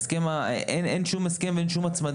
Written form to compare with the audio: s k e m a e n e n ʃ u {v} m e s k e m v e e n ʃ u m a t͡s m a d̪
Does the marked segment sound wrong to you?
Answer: yes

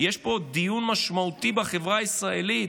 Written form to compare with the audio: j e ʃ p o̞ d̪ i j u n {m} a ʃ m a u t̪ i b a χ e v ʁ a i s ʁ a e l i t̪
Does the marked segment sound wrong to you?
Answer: no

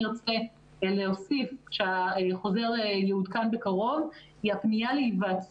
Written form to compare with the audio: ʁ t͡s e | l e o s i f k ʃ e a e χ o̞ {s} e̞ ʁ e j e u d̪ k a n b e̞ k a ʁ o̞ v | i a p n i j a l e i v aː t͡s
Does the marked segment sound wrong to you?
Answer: yes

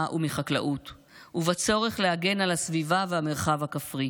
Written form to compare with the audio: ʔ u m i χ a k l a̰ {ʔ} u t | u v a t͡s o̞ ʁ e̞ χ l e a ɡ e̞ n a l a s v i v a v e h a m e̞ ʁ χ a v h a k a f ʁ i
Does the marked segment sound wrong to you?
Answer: no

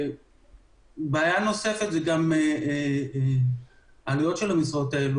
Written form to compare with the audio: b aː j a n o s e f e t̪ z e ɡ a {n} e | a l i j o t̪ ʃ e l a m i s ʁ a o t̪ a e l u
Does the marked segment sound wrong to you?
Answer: yes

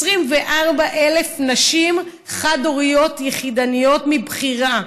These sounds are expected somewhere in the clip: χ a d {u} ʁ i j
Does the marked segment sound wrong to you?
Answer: yes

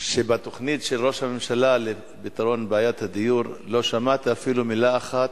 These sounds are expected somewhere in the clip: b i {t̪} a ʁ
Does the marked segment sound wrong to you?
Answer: no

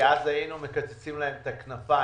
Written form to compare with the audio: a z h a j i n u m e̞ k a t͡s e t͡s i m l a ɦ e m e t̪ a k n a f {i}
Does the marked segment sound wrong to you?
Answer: yes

